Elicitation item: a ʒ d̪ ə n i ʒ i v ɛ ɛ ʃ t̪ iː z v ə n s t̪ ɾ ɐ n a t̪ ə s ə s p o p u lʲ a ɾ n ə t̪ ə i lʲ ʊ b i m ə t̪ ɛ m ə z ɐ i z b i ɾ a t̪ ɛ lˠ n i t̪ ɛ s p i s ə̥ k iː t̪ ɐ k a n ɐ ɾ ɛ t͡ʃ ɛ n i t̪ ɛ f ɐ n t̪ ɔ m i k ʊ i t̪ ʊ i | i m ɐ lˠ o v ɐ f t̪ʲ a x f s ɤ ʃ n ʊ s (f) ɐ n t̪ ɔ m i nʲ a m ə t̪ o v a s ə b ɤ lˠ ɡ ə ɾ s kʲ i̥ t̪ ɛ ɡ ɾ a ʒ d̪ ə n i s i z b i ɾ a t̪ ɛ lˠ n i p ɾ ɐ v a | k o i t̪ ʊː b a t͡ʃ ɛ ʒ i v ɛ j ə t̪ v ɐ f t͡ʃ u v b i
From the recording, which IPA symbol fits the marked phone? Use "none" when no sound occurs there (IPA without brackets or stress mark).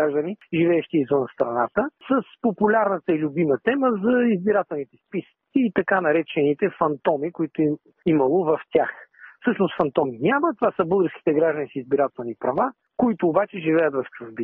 f